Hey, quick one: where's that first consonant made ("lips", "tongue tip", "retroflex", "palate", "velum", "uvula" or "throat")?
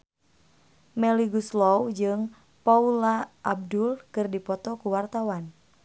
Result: lips